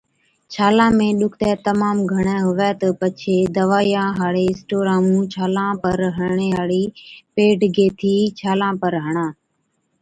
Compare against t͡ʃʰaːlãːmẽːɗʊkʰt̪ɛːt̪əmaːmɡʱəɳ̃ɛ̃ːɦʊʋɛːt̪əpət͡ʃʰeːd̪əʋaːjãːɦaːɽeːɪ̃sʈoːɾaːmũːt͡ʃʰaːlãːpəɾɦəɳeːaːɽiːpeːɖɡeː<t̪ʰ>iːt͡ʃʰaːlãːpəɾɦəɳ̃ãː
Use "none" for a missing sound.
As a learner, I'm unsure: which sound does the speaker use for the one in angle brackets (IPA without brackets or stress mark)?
t̪ʰ